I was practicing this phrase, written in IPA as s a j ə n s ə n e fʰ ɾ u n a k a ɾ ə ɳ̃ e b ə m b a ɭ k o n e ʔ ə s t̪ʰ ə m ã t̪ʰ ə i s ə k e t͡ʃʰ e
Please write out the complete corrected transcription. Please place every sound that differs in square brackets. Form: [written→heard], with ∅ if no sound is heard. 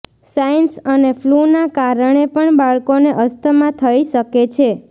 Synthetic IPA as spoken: s a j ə n s ə n e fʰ [ɾ→l] u n a k a ɾ ə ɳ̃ e [b→p] ə [m→ɳ] b a ɭ k o n e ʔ ə s t̪ʰ ə m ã t̪ʰ ə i [s→ʃ] ə k e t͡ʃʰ e